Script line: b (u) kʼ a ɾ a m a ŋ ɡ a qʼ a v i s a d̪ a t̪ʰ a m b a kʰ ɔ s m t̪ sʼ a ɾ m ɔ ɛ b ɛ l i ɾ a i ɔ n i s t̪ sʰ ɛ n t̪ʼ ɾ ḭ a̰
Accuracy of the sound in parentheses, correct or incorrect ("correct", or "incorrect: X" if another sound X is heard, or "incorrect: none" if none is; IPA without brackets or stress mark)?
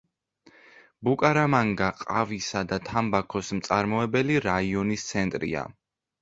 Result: correct